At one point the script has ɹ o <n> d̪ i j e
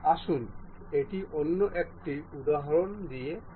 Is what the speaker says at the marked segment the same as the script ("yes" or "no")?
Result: yes